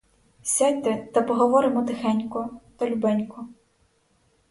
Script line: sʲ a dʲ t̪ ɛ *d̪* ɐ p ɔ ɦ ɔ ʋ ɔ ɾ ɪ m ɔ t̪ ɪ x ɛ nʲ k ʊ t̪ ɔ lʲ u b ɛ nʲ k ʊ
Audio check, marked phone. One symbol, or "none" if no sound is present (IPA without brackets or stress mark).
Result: t̪